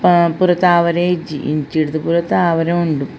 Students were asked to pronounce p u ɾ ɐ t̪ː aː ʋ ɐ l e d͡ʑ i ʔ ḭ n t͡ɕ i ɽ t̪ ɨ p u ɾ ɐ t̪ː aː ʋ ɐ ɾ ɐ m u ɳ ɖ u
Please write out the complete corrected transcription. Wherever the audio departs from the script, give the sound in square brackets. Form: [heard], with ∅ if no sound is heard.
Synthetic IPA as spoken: p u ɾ ɐ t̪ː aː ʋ ɐ [ɾ] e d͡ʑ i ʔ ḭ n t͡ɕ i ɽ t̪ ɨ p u ɾ ɐ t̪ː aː ʋ ɐ ɾ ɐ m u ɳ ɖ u